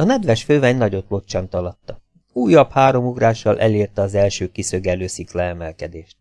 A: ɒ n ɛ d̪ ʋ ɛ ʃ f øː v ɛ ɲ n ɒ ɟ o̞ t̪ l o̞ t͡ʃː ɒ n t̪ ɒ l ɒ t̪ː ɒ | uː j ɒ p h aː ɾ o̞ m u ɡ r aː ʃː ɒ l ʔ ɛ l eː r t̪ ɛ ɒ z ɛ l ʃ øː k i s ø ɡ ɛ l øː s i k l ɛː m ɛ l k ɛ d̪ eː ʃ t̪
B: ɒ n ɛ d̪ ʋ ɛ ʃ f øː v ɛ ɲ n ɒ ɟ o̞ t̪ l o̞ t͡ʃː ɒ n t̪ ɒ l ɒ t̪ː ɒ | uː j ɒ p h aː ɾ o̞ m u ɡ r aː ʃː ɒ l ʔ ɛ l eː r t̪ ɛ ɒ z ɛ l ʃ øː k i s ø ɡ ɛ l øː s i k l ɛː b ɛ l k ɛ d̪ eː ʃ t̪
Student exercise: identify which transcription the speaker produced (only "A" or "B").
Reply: A